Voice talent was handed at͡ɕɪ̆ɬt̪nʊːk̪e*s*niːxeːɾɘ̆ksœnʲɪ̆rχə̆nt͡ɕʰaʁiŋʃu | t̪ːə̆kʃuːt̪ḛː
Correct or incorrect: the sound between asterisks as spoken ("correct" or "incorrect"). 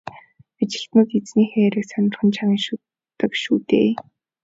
incorrect